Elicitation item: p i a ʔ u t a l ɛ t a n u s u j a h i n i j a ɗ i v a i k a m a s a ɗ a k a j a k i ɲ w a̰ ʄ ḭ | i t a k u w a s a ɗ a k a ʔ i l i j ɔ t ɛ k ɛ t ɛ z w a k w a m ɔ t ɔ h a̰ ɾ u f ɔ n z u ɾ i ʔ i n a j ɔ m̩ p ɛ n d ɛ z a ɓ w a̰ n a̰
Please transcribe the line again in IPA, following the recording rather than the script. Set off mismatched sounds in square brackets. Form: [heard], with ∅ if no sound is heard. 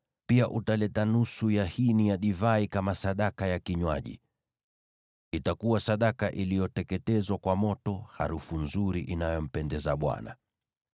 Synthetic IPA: p i a ʔ u t a l ɛ t a n u s u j a h i n i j a ɗ i v a i k a m a s a ɗ a k a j a k i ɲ w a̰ ʄ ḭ | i t a k u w a s a ɗ a k a ʔ i l i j ɔ t ɛ k ɛ t ɛ z w a k w a m ɔ t ɔ h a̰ ɾ u f [u] n z u ɾ i ʔ i n a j ɔ m̩ p ɛ n d ɛ z a ɓ w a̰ n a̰